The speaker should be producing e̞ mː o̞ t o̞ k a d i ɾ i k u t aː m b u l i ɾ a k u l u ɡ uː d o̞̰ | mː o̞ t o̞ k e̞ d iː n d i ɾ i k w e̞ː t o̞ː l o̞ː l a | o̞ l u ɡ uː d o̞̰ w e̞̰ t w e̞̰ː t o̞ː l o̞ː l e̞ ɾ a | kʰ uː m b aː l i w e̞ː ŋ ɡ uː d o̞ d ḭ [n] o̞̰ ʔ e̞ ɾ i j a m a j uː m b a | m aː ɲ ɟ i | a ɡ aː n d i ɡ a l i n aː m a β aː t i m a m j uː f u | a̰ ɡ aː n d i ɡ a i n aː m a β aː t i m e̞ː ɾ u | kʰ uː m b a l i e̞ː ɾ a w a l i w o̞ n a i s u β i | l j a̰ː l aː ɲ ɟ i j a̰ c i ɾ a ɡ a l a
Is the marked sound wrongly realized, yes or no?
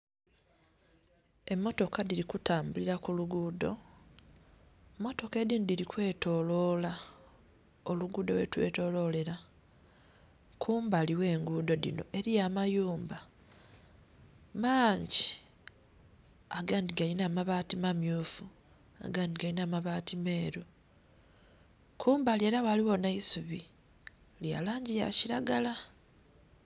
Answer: no